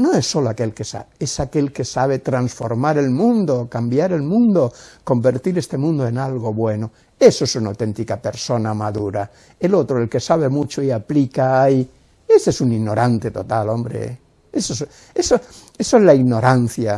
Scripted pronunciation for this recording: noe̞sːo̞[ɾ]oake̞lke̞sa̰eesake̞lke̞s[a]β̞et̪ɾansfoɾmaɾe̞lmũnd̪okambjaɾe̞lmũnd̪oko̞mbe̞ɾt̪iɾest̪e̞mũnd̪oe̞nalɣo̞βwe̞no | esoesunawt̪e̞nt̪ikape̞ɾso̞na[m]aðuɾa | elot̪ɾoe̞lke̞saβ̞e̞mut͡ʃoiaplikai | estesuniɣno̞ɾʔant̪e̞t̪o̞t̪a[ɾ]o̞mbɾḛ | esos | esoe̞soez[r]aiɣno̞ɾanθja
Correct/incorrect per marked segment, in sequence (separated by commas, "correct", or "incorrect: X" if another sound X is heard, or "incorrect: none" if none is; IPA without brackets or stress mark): incorrect: l, correct, correct, incorrect: l, incorrect: l